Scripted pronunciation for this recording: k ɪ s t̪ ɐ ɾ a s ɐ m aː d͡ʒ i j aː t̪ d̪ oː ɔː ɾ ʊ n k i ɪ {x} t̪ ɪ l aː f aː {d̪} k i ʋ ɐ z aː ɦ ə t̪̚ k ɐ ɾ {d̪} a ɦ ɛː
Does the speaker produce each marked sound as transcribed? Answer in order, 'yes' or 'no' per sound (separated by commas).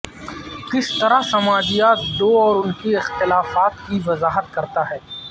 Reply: yes, no, no